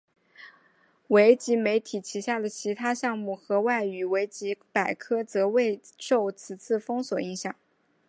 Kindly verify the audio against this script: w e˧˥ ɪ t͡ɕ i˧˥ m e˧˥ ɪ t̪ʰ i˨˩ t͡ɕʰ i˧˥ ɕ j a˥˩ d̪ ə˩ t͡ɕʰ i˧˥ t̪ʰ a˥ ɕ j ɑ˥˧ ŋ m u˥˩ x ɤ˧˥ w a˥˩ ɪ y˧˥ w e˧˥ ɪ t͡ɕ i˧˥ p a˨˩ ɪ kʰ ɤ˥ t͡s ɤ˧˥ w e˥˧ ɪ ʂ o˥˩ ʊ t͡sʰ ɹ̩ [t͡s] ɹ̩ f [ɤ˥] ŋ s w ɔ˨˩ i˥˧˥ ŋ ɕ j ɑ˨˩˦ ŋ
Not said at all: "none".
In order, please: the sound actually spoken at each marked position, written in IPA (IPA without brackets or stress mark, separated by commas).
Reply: t͡sʰ, ɤ˥